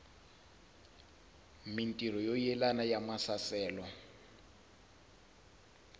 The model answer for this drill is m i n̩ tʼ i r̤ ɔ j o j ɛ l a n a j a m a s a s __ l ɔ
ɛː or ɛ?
ɛː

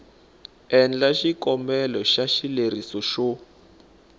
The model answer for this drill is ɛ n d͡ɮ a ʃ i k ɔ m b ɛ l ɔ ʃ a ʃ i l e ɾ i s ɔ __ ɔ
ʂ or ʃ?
ʃ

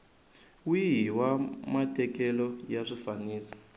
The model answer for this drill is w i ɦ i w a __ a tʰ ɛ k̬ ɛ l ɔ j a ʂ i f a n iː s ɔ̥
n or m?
m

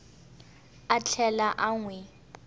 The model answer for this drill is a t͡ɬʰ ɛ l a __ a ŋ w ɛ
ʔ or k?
ʔ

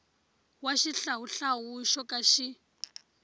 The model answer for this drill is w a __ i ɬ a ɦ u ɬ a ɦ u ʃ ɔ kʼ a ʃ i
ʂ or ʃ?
ʃ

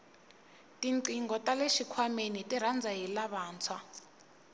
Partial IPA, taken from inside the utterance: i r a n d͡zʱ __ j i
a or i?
a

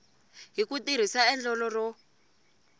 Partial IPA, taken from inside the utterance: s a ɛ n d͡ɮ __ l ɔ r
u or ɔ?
ɔ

